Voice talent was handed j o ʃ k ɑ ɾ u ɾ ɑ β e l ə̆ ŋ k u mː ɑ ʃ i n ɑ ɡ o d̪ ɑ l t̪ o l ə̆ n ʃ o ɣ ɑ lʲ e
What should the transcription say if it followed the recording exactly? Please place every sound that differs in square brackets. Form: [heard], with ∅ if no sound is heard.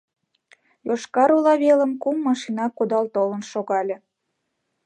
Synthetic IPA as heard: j o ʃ k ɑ ɾ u [l] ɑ β e l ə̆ [m] k u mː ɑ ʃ i n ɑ [k] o d̪ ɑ l t̪ o l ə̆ n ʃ o ɣ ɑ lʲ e